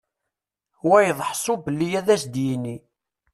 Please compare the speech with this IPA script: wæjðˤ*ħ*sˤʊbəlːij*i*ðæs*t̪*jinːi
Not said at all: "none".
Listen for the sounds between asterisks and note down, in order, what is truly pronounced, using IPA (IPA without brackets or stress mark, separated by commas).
ħ, æ, d̪